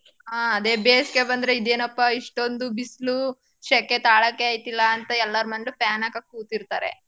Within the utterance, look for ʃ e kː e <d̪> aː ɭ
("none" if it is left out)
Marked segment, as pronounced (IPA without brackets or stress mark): t̪